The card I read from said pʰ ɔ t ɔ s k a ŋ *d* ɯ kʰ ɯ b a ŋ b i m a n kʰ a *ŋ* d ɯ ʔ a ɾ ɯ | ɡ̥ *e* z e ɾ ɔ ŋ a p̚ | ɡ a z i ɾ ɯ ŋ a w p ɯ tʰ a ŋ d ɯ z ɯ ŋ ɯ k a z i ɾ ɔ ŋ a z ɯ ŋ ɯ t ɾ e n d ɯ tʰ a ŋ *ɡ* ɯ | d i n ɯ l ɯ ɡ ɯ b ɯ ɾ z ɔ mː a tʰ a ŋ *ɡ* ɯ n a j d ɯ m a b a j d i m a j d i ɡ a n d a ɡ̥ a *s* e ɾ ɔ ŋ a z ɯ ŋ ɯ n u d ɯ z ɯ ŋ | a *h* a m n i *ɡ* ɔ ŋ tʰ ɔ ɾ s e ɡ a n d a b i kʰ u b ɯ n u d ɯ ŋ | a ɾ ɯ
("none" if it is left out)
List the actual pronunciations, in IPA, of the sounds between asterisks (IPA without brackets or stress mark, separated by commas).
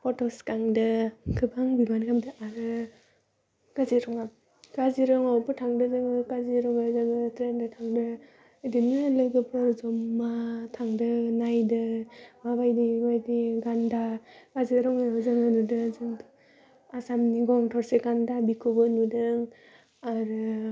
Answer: d, m, a, d, d, z, s, ɡ